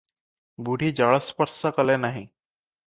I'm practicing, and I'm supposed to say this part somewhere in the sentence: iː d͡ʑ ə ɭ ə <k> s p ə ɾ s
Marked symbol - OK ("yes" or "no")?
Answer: no